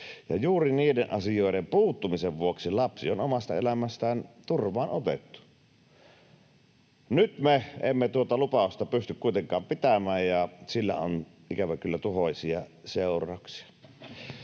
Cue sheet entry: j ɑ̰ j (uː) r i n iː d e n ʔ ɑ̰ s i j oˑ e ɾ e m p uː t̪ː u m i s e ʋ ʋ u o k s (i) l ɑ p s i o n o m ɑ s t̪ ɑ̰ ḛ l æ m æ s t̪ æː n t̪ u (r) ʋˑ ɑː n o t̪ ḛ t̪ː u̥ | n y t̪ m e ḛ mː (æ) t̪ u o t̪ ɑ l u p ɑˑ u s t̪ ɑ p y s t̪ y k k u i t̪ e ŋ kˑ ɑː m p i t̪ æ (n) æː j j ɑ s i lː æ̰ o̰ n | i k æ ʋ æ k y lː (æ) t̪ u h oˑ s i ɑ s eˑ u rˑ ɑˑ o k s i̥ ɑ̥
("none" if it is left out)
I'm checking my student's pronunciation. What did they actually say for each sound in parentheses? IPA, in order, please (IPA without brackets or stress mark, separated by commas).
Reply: uː, i, r, e, m, æ